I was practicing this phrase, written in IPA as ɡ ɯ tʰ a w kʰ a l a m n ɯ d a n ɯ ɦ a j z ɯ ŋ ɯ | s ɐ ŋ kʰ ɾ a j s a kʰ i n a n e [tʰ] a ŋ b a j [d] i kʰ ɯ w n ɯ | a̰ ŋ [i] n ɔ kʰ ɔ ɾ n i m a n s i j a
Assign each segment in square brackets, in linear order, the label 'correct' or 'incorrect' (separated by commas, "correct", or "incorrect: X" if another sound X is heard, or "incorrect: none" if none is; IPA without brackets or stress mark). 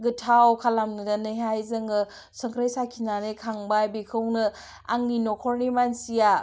incorrect: kʰ, incorrect: b, correct